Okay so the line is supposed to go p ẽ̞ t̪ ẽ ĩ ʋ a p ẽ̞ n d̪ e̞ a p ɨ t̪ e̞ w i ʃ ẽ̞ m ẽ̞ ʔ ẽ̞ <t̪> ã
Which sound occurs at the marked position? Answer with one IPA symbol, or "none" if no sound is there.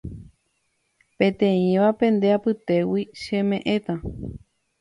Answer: t̪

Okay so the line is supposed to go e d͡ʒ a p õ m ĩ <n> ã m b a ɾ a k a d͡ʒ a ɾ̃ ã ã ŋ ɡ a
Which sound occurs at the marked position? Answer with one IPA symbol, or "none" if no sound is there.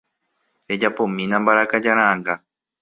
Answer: n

